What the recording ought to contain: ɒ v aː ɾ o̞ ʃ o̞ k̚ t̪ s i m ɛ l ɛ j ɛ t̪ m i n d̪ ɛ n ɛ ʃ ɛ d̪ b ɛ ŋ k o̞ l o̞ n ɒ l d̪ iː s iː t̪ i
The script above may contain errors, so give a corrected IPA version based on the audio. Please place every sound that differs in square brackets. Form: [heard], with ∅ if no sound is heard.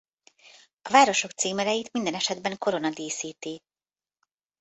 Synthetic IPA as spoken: ɒ v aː ɾ o̞ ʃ o̞ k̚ t̪ s [iː] m ɛ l ɛ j [i] t̪ m i n d̪ ɛ n ɛ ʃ ɛ d̪ b ɛ ŋ k o̞ [ɾ] o̞ n ɒ [∅] d̪ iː s iː t̪ i

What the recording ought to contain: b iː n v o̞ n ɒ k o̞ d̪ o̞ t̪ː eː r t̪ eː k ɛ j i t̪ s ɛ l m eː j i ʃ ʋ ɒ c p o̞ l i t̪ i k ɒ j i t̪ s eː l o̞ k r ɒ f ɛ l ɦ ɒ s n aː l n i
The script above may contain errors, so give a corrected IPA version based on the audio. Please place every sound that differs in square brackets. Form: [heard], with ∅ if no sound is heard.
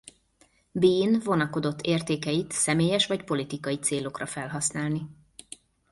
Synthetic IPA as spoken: b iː n v o̞ n ɒ k o̞ d̪ o̞ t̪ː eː r t̪ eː k ɛ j i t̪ s ɛ [∅] m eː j [ɛ] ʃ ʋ ɒ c p o̞ l i t̪ i k ɒ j i t̪ s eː l o̞ k r ɒ f ɛ l ɦ ɒ s n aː l n i

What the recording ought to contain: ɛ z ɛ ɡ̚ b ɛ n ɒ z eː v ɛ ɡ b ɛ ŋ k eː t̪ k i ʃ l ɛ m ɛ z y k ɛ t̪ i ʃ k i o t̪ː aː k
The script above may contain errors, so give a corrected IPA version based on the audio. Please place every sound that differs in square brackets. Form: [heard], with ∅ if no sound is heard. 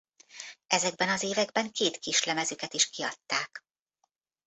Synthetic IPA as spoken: ɛ z ɛ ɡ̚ b ɛ n ɒ z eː v ɛ ɡ b ɛ ŋ k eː t̪ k i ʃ l ɛ m ɛ z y k ɛ t̪ i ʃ k i [ɒ] t̪ː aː k

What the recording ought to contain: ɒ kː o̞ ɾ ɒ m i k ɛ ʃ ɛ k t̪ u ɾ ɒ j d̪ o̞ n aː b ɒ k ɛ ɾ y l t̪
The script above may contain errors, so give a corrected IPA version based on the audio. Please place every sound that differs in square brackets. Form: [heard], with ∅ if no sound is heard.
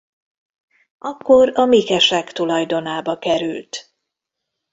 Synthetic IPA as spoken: ɒ kː o̞ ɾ ɒ m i k ɛ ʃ ɛ k t̪ u [l] ɒ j d̪ o̞ n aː b ɒ k ɛ ɾ y l t̪

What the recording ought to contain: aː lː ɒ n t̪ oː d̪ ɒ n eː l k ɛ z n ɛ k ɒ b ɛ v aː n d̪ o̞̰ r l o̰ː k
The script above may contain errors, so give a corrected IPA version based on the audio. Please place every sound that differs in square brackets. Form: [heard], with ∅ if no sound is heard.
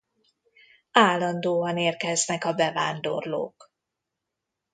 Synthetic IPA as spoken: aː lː ɒ n [d̪] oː [∅] ɒ n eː [r] k ɛ z n ɛ k ɒ b ɛ v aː n d̪ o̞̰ r l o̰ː k

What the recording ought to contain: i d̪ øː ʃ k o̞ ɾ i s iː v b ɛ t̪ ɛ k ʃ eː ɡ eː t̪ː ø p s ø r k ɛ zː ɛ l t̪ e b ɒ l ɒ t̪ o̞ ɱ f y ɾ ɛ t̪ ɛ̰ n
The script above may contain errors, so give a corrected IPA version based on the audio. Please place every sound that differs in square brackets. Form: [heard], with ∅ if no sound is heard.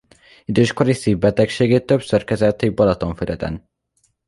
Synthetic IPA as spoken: i d̪ øː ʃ k o̞ ɾ i s iː v b ɛ t̪ ɛ k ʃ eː ɡ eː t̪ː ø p s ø r k ɛ [z] ɛ l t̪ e b ɒ l ɒ t̪ o̞ ɱ f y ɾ ɛ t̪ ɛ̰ n

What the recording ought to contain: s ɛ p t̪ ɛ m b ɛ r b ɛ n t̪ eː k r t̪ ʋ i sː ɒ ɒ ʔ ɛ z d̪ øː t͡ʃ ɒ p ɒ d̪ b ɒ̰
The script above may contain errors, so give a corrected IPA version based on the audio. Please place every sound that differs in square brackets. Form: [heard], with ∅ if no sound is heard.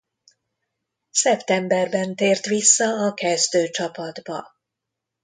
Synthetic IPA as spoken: s ɛ p t̪ ɛ m b ɛ r b ɛ n t̪ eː [∅] r t̪ ʋ i sː ɒ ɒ [k] ɛ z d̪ øː t͡ʃ ɒ p ɒ d̪ b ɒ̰

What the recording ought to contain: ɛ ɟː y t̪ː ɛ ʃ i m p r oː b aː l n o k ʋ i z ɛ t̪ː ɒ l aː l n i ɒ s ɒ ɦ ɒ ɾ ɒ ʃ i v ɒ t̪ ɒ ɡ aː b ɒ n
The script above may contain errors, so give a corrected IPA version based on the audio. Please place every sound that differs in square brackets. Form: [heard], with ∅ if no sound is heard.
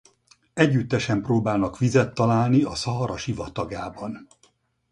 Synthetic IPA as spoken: ɛ ɟː y t̪ː ɛ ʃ [ɛ] m p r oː b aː l n [ɒ] k ʋ i z ɛ t̪ː ɒ l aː l n i ɒ s ɒ ɦ ɒ ɾ ɒ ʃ i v ɒ t̪ ɒ ɡ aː b ɒ n

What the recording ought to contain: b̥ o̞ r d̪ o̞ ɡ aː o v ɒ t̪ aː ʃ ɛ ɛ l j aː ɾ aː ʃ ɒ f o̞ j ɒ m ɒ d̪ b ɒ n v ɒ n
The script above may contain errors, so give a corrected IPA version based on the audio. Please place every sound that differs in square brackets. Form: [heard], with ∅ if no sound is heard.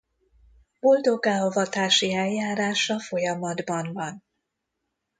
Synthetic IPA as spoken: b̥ o̞ [l] d̪ o̞ ɡ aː o v ɒ t̪ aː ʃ [i] ɛ l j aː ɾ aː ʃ ɒ f o̞ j ɒ m ɒ d̪ b ɒ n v ɒ n

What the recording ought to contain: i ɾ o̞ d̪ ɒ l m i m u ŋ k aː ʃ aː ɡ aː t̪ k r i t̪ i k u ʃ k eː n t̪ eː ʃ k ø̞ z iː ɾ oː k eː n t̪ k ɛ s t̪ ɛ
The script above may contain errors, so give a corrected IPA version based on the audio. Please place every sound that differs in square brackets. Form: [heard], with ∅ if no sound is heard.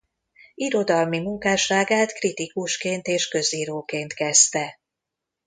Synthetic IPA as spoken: i ɾ o̞ d̪ ɒ l m i m u ŋ k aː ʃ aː ɡ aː t̪ k r i t̪ i k u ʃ k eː n t̪ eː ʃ k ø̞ z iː ɾ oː k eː n t̪ k ɛ s t̪ ɛ

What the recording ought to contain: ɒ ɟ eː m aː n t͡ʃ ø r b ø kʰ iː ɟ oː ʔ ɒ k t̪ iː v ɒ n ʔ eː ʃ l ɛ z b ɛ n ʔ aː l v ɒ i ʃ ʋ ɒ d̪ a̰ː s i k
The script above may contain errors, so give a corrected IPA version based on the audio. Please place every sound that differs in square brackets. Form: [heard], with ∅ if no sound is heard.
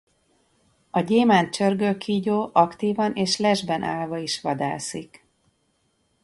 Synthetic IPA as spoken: ɒ ɟ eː m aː n t͡ʃ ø r [ɡ] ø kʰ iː ɟ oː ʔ ɒ k t̪ iː v ɒ n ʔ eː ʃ l ɛ [ʒ] b ɛ n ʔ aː l v ɒ i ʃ ʋ ɒ d̪ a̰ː s i k

